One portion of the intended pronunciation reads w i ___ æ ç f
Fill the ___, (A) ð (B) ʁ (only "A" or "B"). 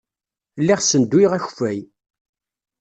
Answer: B